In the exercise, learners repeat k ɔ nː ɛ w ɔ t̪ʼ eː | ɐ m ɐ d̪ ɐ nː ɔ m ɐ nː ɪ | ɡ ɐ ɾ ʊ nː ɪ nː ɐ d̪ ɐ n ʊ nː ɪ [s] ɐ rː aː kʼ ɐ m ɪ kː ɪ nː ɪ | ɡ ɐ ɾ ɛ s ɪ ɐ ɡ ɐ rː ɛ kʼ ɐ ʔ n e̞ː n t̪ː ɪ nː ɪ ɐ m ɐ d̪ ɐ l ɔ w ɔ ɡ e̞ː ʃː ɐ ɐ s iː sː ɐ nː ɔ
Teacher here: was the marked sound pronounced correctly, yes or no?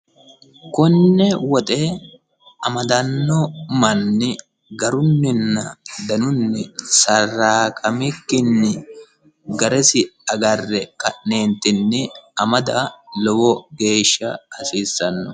yes